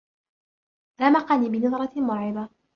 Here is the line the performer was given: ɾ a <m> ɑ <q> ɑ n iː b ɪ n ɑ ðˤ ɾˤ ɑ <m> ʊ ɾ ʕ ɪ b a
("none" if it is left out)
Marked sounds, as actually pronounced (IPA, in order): m, q, m

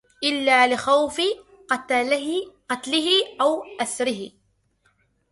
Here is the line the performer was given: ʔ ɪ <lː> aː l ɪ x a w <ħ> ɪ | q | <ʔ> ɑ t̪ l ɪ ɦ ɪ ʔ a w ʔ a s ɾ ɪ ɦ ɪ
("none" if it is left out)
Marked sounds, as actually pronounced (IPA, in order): lː, f, q

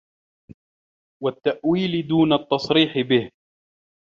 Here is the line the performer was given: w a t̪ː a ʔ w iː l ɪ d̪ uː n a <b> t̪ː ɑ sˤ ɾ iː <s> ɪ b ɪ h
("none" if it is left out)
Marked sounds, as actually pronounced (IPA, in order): none, ħ

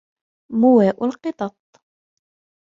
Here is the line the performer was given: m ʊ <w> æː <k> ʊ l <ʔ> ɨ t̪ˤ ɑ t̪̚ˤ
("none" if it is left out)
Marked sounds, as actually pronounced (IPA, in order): w, ʔ, q

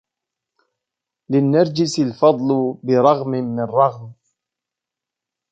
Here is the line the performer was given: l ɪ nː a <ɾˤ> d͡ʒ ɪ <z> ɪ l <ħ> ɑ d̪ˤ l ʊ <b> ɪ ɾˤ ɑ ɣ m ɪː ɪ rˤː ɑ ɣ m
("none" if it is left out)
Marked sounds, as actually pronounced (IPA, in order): ɾˤ, s, f, b

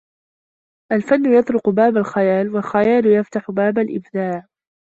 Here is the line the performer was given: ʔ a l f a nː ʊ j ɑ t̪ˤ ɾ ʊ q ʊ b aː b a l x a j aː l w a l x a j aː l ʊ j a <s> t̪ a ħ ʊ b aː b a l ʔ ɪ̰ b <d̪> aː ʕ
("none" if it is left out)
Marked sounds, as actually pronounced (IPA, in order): f, d̪

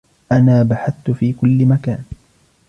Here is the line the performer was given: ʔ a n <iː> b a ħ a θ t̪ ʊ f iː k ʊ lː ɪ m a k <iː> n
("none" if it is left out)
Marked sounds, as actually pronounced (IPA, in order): aː, aː

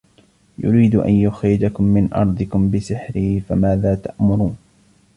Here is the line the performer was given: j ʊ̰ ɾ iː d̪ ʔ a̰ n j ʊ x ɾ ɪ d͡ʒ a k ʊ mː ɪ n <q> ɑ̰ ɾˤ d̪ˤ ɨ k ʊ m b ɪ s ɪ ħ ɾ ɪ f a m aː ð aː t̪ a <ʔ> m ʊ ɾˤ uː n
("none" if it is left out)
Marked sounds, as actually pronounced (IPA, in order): ʔ, ʔ

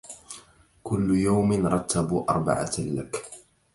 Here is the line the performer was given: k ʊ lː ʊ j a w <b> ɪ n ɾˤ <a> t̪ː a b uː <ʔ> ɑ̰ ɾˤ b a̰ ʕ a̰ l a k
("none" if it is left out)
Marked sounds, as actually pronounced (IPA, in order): m, ɑ, ʔ

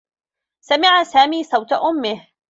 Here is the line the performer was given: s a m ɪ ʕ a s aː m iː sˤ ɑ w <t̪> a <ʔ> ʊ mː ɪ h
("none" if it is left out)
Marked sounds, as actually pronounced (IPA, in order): t̪, ʔ

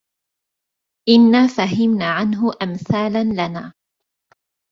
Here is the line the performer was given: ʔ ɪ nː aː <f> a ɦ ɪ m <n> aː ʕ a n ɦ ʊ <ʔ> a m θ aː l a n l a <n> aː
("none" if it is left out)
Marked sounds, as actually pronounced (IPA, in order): f, n, ʔ, n

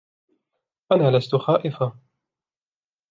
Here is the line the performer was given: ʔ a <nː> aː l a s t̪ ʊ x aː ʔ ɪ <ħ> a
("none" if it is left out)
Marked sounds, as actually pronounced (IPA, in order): n, f

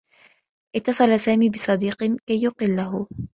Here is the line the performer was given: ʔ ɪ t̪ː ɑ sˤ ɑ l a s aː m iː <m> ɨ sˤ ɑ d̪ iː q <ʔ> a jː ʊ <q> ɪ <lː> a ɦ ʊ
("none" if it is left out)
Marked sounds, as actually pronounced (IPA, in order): b, k, q, lː

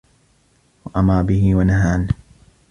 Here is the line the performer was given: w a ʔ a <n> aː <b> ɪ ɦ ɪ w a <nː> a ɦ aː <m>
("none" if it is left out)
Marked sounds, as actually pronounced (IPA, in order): m, b, n, n

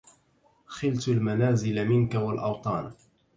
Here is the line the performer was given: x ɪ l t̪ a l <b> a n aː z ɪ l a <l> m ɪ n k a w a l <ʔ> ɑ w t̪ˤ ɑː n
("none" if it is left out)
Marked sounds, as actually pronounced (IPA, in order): m, none, ʔ

